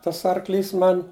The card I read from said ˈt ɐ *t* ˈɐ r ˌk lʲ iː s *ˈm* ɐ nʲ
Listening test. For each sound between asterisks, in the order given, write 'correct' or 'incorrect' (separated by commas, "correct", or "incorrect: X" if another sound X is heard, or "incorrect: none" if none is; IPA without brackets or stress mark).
incorrect: s, correct